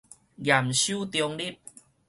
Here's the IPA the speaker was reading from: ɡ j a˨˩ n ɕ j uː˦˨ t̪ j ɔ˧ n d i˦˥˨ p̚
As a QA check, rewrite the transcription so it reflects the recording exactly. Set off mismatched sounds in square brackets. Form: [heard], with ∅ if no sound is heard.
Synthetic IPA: ɡ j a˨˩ [m] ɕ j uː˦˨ t̪ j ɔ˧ [ŋ] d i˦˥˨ p̚